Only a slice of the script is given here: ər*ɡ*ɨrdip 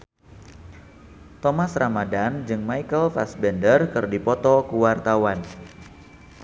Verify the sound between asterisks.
incorrect: k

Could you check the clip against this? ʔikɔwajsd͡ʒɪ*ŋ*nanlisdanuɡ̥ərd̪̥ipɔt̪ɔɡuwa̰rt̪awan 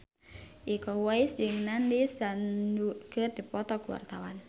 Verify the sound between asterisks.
correct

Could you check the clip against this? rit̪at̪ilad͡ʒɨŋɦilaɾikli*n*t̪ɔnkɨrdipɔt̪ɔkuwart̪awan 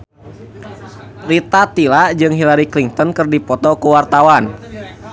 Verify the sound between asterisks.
incorrect: ŋ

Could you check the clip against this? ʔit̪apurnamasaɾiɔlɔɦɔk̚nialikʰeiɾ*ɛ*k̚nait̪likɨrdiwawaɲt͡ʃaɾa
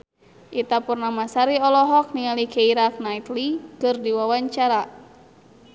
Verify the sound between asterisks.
incorrect: a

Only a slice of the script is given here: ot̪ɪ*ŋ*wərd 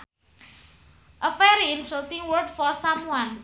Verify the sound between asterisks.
correct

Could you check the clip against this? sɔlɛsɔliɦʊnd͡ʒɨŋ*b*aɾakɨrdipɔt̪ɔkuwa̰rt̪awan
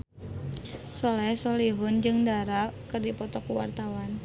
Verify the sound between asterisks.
incorrect: d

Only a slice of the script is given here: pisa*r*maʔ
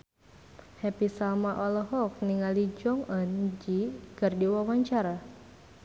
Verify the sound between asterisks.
incorrect: l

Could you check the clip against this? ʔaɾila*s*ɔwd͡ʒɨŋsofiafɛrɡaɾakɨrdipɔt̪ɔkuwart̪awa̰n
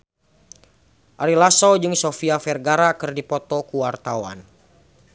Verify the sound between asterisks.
correct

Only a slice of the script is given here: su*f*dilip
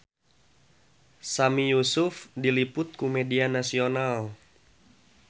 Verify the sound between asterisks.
correct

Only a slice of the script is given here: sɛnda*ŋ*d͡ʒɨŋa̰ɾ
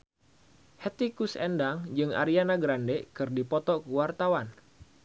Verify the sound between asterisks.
correct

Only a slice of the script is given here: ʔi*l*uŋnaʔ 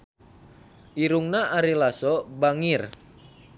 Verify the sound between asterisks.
incorrect: ɾ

